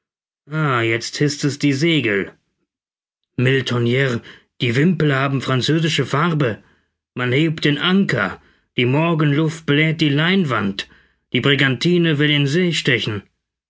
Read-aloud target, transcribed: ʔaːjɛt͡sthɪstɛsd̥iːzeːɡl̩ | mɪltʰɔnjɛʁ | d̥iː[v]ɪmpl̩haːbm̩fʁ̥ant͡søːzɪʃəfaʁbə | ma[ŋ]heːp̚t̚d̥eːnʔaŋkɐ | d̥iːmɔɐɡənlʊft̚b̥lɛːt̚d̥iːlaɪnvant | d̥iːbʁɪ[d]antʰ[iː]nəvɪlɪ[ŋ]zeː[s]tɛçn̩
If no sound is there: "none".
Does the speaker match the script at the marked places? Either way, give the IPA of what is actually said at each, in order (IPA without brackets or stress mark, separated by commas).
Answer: v, n, ɡ, iː, n, ʃ